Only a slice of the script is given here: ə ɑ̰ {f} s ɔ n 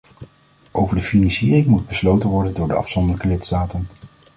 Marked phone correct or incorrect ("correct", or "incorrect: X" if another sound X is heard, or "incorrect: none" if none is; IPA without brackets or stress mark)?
correct